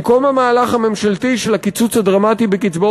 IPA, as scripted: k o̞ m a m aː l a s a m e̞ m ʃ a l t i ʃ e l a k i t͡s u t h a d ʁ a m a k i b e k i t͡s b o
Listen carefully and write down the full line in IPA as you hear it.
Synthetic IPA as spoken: k o̞ m a m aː l a χ a m e̞ m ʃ a l t i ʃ e l a k i t͡s u t͡s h a d ʁ a m a t i b e k i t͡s b o